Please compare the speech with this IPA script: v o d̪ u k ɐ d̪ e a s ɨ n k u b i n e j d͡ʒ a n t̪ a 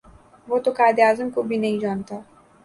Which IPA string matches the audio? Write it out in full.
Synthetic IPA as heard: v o t̪ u k a d̪ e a z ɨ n k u b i n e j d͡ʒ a n t̪ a